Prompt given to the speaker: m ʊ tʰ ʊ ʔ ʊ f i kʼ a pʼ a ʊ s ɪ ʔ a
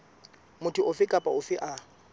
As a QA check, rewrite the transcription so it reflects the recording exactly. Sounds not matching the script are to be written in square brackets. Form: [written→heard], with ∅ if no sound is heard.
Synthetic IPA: m ʊ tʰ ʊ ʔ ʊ f [i→ɪ] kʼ a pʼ a ʊ [s→f] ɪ ʔ a